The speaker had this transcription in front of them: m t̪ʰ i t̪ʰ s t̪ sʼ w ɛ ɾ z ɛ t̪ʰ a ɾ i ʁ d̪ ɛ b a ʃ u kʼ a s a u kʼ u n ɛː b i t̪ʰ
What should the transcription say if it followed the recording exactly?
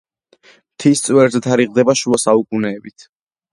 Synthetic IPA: m t̪ʰ i s t̪ sʼ w ɛ ɾ z ɛ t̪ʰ a ɾ i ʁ d̪ ɛ b a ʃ u a s a u kʼ u n ɛː b i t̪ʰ